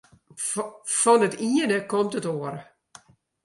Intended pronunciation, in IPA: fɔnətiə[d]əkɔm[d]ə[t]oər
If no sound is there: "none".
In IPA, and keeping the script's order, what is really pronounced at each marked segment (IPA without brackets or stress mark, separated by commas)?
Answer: n, t, t